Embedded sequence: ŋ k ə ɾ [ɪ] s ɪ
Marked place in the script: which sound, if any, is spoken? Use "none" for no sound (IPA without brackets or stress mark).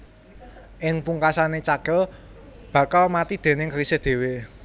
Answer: i